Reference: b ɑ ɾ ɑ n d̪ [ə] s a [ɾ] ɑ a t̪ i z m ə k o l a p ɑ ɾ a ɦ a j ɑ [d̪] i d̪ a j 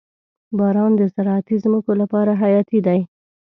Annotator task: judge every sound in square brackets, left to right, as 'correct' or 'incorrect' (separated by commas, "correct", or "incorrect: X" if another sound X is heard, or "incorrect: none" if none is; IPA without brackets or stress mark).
correct, correct, incorrect: t̪